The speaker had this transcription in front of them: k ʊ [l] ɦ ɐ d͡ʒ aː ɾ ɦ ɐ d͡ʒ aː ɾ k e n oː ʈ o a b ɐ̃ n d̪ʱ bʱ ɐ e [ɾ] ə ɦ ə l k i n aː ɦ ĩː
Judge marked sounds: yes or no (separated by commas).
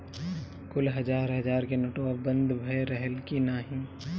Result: yes, yes